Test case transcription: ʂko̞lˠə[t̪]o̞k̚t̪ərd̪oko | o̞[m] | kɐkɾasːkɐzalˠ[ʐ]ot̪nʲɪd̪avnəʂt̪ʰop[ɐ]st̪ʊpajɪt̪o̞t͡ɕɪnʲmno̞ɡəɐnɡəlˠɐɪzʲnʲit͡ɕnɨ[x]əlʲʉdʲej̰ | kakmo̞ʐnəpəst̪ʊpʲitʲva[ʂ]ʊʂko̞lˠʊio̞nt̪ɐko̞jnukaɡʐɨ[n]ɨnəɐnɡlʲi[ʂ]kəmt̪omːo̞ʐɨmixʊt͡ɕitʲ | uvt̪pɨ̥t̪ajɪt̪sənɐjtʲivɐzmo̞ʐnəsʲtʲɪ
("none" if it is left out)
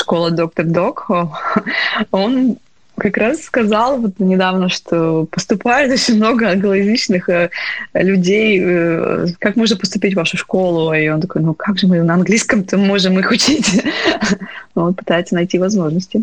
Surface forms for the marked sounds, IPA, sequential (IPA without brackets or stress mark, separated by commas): d̪, n, v, ə, x, ʂ, m, s